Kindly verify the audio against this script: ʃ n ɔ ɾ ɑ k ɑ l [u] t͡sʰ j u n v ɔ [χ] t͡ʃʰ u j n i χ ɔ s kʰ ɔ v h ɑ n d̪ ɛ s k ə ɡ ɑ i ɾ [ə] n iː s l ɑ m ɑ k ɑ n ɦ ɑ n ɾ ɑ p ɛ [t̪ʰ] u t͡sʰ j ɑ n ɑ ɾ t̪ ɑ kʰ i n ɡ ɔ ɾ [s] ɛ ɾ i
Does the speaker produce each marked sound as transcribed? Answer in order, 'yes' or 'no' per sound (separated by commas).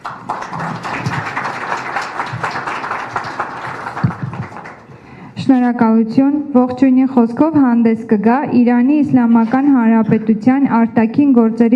yes, yes, no, no, no